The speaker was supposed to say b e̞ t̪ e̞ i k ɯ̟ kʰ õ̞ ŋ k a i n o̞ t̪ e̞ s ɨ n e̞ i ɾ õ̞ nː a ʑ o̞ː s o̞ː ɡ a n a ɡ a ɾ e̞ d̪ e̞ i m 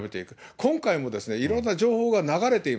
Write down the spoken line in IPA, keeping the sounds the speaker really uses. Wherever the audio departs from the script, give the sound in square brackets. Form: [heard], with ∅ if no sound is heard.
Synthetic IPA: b e̞ t̪ e̞ i k ɯ̟ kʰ õ̞ ŋ k a i [m] o̞ [d̪] e̞ s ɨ n e̞ i ɾ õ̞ nː a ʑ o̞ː [h] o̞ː ɡ a n a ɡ a ɾ e̞ [t̪] e̞ i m